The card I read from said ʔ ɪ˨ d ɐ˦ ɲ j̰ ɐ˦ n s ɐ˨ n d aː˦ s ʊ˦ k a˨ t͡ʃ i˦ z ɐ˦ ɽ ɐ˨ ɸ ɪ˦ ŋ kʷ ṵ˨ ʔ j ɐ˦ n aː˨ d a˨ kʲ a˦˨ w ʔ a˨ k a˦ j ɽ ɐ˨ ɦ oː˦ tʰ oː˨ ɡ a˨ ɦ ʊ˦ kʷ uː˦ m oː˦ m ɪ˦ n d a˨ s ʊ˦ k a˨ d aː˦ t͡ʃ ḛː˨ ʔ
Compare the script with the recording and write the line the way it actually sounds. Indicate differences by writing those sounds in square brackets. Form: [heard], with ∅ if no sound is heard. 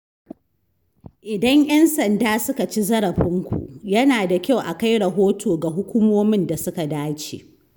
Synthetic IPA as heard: ʔ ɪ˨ d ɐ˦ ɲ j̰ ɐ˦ n s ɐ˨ n d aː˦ s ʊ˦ k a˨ t͡ʃ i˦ z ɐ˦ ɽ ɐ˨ ɸ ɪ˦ ŋ kʷ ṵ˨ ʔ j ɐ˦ n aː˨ d a˨ kʲ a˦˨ w ʔ a˨ k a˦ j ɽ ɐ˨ ɦ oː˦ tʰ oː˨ ɡ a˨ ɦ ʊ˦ kʷ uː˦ m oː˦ m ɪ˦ n d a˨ s ʊ˦ k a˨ d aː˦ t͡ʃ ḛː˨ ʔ